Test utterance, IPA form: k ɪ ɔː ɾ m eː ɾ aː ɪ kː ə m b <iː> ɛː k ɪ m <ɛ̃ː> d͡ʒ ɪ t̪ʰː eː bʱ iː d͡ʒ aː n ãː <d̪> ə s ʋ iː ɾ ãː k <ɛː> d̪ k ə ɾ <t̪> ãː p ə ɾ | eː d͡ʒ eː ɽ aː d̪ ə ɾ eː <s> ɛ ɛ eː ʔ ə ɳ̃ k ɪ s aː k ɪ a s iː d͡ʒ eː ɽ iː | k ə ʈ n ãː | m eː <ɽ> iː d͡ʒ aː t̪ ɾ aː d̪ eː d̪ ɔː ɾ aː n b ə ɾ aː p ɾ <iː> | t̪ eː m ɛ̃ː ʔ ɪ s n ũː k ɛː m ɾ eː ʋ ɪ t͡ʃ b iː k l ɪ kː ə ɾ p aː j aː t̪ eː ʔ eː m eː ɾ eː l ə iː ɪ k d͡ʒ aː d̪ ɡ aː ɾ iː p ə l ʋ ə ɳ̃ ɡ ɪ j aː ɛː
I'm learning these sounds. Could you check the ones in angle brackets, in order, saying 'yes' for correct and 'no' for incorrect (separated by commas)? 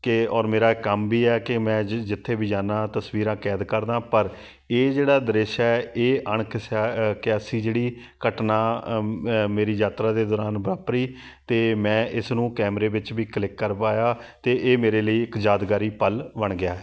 yes, yes, no, yes, no, no, no, yes